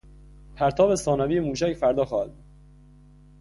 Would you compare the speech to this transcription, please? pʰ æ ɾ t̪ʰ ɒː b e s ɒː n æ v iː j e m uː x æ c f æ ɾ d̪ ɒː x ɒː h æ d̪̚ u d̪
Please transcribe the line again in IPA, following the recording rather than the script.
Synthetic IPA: pʰ æ ɾ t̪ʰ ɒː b e s ɒː n æ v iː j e m uː ʃ æ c f æ ɾ d̪ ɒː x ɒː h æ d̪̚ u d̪